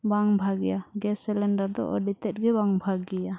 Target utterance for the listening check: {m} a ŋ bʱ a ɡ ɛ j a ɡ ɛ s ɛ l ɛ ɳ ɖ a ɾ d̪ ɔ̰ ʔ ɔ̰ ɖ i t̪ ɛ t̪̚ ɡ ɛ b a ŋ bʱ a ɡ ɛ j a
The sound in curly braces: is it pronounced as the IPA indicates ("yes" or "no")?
no